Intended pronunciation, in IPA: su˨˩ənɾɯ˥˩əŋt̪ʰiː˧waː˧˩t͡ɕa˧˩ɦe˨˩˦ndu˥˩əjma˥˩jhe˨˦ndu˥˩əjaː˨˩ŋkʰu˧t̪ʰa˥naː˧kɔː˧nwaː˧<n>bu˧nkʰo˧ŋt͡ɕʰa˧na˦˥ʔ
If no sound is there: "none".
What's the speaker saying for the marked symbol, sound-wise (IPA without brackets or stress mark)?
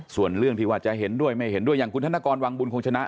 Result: ŋ